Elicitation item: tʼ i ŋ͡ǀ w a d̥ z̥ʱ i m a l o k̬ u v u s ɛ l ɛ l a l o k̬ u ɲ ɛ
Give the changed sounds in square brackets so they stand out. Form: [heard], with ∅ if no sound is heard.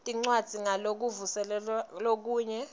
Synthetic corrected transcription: tʼ i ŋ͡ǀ w a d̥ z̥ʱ i [ŋ] a l o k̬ u v u s ɛ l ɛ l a l o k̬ [uː] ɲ ɛ